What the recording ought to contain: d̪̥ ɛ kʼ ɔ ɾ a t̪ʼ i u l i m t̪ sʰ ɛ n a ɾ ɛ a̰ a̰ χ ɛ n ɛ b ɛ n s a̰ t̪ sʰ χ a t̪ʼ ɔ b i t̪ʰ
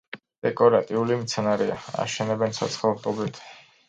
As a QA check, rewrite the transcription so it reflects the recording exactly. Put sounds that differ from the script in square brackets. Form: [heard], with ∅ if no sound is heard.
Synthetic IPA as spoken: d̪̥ ɛ kʼ ɔ ɾ a t̪ʼ i u l i m t̪ sʰ ɛ n a ɾ ɛ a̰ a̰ [ʃ] ɛ n ɛ b ɛ n s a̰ t̪ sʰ χ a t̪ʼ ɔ b i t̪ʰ